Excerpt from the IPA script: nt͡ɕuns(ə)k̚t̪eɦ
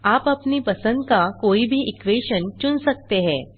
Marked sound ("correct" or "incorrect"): correct